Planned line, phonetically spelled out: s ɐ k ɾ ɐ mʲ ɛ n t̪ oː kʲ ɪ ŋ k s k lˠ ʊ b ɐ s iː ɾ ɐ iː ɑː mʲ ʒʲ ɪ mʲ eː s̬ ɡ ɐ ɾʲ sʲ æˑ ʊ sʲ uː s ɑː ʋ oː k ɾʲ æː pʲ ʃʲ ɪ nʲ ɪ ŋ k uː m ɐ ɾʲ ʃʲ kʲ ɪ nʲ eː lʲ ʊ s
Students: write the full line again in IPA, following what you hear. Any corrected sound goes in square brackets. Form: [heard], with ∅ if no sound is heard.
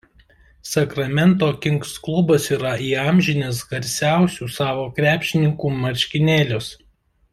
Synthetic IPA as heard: s ɐ k ɾ ɐ mʲ ɛ n t̪ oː kʲ ɪ ŋ k s k lˠ ʊ b ɐ s iː ɾ ɐ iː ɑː mʲ ʒʲ ɪ [nʲ] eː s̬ ɡ ɐ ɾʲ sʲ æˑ ʊ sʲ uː s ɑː ʋ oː k ɾʲ æː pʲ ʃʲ ɪ nʲ ɪ ŋ k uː m ɐ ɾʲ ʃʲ kʲ ɪ nʲ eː lʲ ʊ s